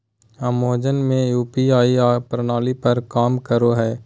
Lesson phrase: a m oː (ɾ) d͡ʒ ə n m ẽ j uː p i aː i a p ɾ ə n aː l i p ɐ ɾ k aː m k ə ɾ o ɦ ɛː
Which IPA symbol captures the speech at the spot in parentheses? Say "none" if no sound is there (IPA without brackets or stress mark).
none